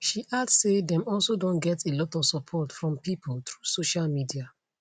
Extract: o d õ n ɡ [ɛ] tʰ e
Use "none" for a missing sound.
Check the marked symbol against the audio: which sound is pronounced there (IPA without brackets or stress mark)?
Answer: ɛ